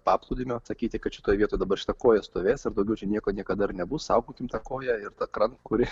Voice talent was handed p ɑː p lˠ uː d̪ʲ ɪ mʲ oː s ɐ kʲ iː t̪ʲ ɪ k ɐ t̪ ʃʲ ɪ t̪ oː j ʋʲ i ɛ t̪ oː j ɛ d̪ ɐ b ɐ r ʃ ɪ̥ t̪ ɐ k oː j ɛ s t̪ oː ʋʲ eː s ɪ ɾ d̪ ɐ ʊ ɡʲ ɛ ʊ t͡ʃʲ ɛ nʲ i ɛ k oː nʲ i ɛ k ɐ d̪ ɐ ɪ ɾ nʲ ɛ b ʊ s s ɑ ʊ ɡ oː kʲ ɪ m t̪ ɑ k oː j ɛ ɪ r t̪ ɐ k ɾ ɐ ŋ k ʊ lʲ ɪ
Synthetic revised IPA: p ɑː p lˠ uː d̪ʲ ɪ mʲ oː s ɐ kʲ iː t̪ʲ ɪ k ɐ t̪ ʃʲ ɪ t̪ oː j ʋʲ i ɛ t̪ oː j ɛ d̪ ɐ b ɐ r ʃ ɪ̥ t̪ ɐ k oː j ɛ s t̪ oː ʋʲ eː s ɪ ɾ d̪ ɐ ʊ ɡʲ ɛ ʊ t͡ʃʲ ɛ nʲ i ɛ k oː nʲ i ɛ k ɐ d̪ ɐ ɪ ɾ nʲ ɛ b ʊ s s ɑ ʊ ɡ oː kʲ ɪ m t̪ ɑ k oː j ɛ ɪ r t̪ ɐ k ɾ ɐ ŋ k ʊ ɾʲ ɪ